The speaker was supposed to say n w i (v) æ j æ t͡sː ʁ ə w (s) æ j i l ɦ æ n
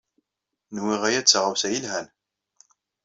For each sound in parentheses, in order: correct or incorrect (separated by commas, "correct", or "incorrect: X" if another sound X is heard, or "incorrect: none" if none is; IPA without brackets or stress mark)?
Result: incorrect: ʁ, correct